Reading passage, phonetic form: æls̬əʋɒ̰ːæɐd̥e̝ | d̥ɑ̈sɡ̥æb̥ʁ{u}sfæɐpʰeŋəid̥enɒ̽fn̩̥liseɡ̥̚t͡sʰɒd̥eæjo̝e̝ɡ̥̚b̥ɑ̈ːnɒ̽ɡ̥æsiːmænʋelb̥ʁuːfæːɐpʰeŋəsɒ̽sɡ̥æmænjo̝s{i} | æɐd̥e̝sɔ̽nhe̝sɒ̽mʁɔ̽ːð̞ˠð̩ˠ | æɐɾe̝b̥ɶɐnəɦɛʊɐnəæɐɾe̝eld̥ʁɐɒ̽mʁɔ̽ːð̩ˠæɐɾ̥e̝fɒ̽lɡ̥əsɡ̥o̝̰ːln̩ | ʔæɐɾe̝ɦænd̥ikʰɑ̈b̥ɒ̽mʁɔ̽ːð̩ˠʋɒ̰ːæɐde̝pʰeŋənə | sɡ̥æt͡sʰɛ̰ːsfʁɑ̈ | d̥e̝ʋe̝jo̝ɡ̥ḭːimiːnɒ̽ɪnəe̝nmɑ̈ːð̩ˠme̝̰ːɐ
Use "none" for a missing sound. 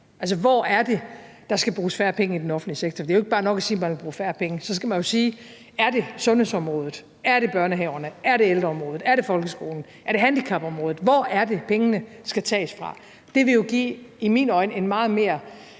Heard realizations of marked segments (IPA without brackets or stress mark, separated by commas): uː, iː